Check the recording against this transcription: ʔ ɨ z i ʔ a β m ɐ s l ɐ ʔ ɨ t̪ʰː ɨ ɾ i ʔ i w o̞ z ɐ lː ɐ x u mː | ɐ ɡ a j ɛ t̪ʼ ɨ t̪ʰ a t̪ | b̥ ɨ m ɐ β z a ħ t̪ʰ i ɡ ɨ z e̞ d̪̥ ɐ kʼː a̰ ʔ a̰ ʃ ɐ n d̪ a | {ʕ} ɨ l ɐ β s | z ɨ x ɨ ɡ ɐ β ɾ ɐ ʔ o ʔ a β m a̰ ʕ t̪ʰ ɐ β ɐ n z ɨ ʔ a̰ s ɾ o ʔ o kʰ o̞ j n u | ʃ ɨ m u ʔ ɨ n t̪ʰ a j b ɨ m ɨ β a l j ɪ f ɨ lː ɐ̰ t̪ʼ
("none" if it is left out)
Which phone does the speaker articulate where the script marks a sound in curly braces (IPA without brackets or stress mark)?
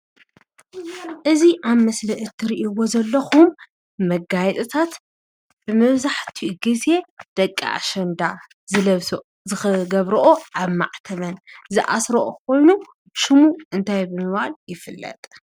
z